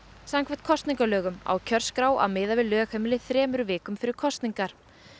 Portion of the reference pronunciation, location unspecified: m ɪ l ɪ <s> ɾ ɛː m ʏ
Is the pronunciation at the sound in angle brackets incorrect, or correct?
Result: incorrect